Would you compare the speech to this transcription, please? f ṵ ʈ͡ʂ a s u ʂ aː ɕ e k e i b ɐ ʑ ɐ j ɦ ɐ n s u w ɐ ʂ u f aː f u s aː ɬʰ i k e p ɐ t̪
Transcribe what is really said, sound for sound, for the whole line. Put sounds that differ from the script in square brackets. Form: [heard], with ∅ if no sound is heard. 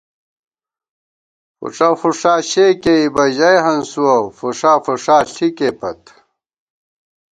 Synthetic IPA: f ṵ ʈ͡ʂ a [f] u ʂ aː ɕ e k e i b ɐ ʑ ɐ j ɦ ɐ n s u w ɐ [f] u [ʂ] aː f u [ʂ] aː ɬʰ i k e p ɐ t̪